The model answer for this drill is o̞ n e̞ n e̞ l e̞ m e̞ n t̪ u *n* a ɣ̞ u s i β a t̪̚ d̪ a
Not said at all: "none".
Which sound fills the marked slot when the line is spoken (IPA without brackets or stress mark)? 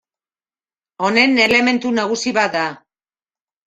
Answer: n